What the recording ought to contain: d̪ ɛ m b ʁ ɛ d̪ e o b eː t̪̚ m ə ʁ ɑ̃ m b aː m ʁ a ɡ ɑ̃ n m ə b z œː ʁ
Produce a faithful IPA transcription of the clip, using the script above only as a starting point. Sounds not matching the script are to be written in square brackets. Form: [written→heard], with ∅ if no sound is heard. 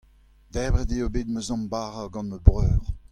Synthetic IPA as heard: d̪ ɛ [m→∅] b ʁ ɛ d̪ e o b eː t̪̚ m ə [ʁ→z] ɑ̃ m b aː [m→∅] ʁ a ɡ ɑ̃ n m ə b [z→ʁ] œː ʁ